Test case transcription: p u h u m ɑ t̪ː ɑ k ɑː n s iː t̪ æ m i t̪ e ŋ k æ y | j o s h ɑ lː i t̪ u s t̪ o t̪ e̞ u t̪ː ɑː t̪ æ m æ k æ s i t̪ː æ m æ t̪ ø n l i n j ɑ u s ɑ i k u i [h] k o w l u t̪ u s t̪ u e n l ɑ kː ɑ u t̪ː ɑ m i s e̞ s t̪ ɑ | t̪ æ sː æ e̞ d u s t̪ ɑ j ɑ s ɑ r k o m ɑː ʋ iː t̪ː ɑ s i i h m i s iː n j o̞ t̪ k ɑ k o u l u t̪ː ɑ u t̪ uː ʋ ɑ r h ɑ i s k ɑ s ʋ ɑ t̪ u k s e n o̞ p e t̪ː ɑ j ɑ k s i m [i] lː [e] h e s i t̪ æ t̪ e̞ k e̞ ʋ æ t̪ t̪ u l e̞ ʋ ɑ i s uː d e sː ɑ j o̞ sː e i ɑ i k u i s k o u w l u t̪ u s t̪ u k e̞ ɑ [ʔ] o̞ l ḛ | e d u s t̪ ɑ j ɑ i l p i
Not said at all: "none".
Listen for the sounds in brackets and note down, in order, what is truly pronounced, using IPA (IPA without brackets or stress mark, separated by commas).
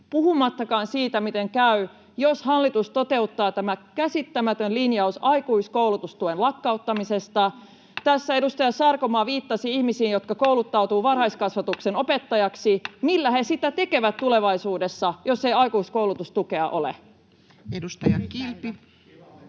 s, i, æ, ʔ